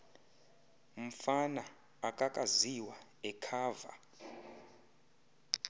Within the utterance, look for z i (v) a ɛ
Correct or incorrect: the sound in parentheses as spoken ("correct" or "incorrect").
incorrect